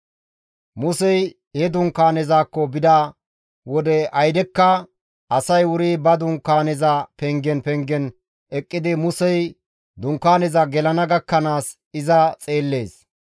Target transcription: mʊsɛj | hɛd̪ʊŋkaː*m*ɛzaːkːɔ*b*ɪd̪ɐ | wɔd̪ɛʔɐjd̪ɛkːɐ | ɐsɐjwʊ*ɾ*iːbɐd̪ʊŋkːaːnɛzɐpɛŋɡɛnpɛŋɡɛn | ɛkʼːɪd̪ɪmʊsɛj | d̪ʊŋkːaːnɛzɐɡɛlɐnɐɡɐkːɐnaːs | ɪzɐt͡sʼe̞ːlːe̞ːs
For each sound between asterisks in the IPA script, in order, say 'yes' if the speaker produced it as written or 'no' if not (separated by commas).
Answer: no, yes, yes